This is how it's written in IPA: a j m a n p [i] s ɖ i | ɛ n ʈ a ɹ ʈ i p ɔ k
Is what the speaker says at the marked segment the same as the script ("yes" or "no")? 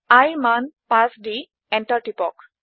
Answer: no